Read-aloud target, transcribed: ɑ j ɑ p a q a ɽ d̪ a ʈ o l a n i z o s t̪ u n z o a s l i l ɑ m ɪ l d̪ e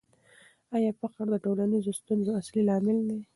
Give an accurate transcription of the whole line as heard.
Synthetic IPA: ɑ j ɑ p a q a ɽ d̪ ə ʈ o l a n i z o s t̪ u n z o a s l i l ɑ m ɪ l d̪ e